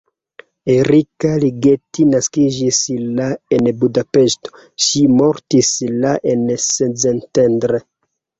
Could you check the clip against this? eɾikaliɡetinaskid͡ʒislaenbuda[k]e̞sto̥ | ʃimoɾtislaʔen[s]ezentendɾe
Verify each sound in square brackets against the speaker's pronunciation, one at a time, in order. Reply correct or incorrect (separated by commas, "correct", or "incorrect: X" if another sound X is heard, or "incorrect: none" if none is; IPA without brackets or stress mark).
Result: incorrect: p, correct